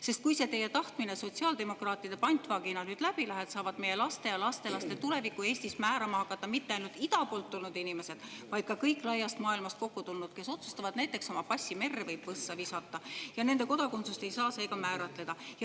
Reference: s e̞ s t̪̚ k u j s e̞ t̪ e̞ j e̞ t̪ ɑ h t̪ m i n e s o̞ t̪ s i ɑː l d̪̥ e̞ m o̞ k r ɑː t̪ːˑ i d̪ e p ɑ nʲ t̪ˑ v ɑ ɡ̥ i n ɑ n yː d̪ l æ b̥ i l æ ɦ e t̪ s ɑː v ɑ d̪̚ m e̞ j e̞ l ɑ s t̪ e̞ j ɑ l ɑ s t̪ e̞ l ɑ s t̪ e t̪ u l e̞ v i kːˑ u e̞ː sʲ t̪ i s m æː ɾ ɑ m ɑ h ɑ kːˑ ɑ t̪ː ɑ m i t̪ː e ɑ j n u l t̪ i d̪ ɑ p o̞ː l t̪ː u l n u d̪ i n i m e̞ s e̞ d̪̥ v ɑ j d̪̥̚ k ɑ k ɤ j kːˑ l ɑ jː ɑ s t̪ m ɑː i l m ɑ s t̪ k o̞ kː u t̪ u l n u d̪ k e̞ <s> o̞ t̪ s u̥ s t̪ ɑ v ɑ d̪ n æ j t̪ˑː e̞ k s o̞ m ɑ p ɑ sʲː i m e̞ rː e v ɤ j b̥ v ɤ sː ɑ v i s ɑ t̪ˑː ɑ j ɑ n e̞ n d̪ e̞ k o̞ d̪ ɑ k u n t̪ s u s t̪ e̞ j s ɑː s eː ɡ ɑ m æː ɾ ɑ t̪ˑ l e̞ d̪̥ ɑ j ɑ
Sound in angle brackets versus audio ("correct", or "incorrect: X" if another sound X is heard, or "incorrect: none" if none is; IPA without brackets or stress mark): correct